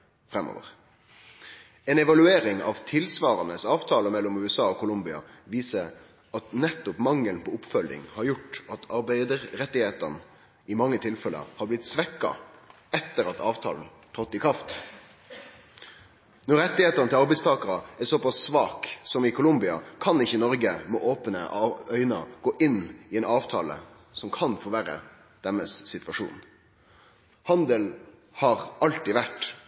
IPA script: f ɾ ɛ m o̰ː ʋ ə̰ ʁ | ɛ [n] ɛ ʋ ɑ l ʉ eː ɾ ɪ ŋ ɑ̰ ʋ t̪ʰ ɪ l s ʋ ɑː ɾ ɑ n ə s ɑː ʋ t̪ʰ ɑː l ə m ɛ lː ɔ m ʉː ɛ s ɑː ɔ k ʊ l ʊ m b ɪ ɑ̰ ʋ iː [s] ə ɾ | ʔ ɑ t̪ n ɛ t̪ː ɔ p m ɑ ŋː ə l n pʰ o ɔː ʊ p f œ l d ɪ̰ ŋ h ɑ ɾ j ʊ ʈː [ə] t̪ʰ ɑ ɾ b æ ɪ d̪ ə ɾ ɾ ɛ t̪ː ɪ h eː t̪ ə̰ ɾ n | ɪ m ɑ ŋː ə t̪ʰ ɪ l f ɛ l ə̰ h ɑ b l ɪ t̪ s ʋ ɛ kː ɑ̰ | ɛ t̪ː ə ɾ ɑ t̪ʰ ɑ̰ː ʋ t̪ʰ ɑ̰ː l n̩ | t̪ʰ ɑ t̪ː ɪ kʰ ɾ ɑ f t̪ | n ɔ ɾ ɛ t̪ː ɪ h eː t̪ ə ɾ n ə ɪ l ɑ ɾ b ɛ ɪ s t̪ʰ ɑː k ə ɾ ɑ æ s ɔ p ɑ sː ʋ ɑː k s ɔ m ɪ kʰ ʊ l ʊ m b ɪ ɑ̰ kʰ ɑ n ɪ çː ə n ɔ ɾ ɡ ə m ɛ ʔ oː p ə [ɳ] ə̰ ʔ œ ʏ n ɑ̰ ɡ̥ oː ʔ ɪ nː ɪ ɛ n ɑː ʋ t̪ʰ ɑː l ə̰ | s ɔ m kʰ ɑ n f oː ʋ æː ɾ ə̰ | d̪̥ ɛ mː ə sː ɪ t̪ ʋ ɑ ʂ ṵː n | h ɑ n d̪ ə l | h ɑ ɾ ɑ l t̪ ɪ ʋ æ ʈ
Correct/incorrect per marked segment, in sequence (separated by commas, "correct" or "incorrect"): correct, correct, incorrect, incorrect